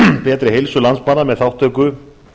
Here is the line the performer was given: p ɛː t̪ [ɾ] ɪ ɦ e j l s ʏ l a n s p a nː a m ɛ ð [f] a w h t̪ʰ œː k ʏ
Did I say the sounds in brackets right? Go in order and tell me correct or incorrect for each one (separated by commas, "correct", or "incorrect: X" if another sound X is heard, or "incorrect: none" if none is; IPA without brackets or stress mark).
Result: correct, incorrect: θ